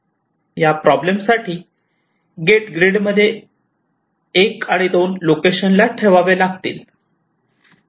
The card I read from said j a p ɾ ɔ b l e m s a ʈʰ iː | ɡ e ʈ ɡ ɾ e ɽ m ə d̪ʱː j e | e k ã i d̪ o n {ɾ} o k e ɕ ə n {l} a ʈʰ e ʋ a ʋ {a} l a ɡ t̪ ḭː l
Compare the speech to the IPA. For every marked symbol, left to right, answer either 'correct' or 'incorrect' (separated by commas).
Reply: incorrect, correct, incorrect